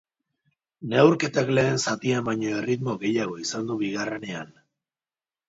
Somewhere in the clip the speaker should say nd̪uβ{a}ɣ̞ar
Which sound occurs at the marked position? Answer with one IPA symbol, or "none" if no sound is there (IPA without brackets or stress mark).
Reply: i